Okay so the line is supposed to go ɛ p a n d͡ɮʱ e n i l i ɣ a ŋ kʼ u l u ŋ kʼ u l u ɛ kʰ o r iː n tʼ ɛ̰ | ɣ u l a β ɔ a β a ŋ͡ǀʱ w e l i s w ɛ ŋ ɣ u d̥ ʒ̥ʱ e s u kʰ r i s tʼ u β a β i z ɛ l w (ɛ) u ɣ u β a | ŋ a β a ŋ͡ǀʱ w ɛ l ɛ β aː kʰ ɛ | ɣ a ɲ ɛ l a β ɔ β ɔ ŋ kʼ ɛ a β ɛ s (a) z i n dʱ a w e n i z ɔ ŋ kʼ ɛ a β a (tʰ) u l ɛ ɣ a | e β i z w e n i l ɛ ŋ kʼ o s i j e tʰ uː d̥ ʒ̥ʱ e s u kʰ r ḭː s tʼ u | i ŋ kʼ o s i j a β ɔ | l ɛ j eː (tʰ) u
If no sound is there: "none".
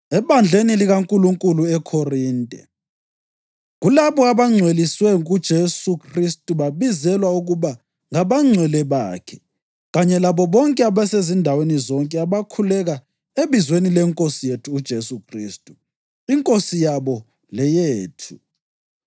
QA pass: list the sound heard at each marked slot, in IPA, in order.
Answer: a, e, kʰ, tʰ

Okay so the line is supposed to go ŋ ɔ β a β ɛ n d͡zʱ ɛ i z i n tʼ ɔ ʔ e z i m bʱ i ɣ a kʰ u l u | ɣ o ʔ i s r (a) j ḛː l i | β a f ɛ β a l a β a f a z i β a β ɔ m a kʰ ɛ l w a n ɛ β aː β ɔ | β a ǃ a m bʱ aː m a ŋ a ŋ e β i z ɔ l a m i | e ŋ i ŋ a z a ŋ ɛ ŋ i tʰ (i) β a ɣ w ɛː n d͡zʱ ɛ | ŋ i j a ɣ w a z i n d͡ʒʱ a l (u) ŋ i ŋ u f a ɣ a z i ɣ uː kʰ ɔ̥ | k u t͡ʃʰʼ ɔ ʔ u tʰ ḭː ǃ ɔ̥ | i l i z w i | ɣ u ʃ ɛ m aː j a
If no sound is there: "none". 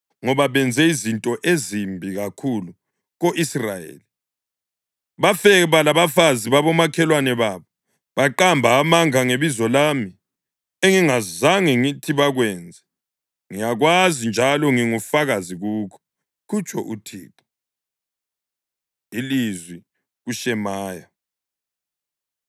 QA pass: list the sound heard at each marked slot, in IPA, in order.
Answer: a, i, ɔ

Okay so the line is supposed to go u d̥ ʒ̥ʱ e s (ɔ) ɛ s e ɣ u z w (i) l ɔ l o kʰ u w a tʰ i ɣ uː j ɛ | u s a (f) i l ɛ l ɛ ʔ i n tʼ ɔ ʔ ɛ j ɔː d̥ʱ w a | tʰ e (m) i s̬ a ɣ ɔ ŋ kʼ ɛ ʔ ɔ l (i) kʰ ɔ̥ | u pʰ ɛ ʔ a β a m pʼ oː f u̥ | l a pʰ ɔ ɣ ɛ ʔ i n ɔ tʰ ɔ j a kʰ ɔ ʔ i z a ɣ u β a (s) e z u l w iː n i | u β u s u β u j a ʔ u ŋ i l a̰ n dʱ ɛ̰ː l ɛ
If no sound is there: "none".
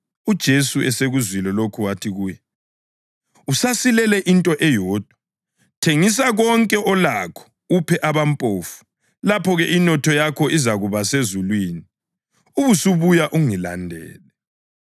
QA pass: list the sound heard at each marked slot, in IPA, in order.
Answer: u, i, s, ŋ, a, s

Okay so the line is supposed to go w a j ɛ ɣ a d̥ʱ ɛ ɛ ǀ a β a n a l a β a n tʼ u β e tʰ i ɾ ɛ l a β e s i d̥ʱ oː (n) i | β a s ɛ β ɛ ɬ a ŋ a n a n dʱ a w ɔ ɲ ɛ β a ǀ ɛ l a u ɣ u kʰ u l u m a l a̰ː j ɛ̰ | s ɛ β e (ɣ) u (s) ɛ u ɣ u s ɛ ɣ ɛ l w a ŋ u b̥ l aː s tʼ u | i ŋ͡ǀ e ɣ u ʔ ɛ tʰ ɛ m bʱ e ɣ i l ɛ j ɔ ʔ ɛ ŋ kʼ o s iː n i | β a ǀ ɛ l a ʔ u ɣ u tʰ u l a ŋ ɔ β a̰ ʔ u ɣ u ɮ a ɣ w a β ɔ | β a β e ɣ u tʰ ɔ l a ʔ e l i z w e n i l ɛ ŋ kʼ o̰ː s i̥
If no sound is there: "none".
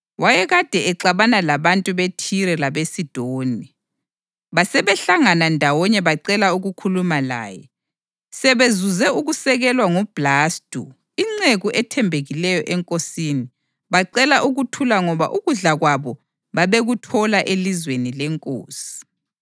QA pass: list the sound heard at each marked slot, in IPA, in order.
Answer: n, z, z

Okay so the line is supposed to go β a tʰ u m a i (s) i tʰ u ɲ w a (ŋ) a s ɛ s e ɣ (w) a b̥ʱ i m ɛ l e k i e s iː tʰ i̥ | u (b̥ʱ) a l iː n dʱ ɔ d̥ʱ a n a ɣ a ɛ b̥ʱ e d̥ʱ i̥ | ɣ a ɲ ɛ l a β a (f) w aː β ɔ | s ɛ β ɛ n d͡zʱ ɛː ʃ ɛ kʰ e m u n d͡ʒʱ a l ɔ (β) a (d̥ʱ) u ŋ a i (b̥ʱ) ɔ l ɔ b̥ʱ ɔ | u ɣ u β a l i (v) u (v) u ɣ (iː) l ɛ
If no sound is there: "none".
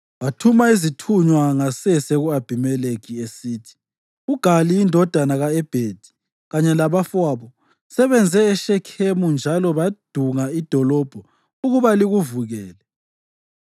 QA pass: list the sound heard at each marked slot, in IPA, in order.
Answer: z, ŋ, u, ɡ̥ʱ, f, β, d̥ʱ, d̥ʱ, ɣ, v, ɛː

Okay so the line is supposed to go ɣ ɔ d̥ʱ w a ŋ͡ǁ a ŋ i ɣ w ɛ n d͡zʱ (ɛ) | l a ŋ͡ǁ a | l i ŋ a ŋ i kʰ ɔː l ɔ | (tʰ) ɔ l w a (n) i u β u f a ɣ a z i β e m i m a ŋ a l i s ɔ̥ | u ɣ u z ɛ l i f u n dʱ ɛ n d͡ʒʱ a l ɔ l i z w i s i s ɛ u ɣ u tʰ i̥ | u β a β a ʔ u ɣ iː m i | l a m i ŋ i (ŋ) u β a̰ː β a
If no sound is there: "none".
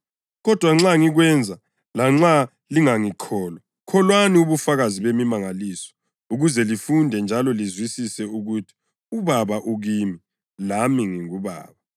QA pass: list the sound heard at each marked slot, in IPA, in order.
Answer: a, kʰ, n, ŋ

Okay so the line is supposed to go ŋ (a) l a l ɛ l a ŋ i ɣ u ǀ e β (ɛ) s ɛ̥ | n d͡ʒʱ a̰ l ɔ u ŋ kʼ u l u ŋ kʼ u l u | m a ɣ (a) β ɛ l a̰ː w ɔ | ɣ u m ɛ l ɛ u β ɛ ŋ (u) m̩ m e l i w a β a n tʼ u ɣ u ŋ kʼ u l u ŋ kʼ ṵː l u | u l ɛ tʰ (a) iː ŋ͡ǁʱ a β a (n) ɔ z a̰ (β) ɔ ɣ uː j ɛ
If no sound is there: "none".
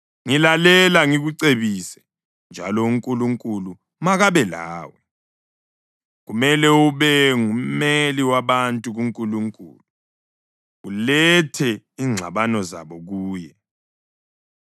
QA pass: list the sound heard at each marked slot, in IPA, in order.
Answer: i, i, a, u, ɛ, n, β

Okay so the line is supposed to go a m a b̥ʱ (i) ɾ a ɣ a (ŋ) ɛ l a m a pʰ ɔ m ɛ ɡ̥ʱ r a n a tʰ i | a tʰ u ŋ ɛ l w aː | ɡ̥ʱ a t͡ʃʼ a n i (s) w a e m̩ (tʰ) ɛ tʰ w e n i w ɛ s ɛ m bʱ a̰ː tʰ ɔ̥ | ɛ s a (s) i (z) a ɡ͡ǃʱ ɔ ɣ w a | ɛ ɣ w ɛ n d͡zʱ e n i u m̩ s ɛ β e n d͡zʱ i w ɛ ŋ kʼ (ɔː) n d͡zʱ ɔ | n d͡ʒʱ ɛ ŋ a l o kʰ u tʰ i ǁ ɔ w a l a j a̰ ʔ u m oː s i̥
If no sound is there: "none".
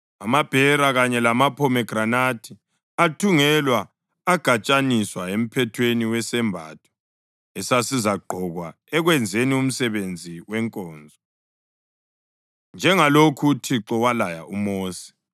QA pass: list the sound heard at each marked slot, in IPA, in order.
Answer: ɛ, ɲ, s, pʰ, s, z, ɔː

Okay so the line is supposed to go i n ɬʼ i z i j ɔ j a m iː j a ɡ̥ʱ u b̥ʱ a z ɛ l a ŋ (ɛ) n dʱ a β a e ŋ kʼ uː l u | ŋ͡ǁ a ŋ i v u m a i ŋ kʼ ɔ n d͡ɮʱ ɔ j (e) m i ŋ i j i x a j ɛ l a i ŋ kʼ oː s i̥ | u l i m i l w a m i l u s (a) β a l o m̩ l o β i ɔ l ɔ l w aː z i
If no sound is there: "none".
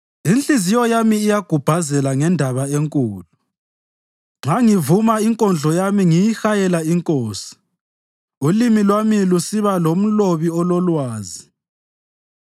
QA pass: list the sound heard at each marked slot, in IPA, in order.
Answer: ɛ, a, i

